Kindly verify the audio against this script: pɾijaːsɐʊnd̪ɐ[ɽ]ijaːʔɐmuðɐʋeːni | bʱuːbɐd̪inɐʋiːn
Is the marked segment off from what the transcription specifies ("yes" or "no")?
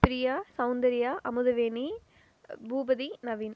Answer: yes